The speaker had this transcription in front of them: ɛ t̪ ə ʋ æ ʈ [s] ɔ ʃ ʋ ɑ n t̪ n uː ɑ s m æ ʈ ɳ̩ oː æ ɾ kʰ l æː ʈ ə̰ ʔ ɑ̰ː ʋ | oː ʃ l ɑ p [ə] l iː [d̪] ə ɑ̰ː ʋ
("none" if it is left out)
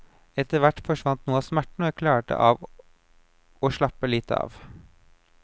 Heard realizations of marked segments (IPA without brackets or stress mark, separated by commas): f, ə, t̪